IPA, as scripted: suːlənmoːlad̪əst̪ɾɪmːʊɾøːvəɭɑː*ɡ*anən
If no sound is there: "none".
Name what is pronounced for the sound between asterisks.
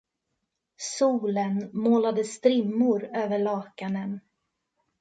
k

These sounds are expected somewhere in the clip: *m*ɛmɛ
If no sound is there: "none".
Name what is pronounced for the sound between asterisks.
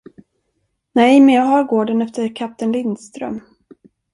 n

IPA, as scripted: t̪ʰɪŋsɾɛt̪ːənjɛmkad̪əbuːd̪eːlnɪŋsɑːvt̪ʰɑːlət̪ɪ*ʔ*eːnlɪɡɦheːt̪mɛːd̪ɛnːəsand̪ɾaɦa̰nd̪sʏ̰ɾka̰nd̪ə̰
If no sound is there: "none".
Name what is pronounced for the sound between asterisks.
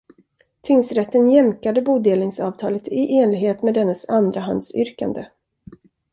ʔ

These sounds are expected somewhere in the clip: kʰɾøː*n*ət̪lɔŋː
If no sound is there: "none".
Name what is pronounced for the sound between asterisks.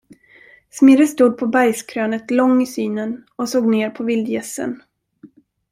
n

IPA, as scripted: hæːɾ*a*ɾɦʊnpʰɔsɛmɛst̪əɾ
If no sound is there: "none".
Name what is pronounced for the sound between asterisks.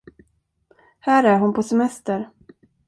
æ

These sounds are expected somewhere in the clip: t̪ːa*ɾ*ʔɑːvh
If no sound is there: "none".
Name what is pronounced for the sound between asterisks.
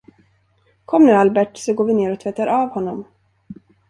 ɾ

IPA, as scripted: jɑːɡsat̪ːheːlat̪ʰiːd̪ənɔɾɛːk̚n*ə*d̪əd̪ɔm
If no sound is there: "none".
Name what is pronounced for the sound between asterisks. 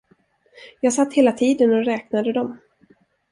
a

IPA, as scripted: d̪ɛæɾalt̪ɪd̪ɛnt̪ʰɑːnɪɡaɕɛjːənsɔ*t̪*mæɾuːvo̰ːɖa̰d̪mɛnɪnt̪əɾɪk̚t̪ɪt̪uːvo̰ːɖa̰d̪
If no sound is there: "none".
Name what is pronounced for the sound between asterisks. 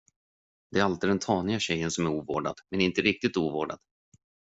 none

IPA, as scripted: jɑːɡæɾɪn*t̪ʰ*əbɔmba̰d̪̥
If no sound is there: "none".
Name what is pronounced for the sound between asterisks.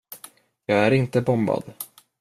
t̪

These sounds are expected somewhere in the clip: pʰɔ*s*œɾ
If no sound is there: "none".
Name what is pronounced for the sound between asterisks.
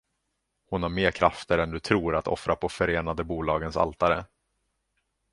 f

